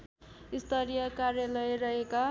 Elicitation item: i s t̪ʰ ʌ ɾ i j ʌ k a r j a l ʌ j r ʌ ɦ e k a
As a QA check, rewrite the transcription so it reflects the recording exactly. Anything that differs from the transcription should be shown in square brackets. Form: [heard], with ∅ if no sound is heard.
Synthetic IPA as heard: i s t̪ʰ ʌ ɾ i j ʌ k a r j a l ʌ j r ʌ ɦ e k a